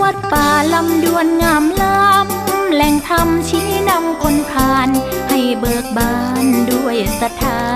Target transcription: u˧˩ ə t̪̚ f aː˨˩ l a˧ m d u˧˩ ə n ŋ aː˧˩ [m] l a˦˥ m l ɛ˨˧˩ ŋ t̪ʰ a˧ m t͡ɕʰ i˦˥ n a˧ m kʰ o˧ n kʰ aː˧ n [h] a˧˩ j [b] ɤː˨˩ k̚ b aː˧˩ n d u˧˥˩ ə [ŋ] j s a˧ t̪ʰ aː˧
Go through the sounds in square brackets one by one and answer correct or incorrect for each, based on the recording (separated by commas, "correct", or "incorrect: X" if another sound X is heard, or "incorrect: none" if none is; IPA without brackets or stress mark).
correct, correct, correct, incorrect: none